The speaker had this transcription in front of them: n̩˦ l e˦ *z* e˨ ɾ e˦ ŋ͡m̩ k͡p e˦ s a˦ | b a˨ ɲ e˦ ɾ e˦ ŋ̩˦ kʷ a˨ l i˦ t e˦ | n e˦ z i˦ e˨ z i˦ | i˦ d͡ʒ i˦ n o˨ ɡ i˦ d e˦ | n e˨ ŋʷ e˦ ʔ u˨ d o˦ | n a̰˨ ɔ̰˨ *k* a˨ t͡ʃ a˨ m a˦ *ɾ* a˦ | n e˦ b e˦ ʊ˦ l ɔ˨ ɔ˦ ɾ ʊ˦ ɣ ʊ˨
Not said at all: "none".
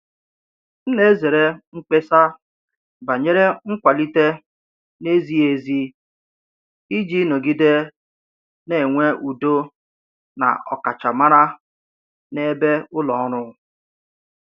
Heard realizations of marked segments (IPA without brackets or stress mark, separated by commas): z, k, ɾ